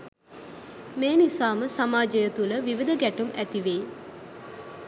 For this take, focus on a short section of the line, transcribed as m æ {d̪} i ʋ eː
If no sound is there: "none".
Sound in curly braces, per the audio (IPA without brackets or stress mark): t̪